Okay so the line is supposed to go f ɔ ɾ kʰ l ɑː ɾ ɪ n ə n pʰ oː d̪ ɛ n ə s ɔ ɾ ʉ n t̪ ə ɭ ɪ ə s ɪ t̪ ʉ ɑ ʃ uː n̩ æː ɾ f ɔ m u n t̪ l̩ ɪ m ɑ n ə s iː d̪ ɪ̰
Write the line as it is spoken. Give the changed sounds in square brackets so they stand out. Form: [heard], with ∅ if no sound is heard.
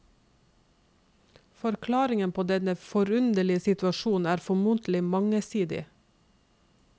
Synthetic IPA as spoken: f ɔ ɾ kʰ l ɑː ɾ ɪ [ŋ] ə n pʰ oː d̪ ɛ n ə [f] ɔ ɾ ʉ n [d̪] ə ɭ ɪ ə s ɪ t̪ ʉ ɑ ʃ uː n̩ æː ɾ f ɔ m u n t̪ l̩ ɪ m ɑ [ŋ] ə s iː d̪ ɪ̰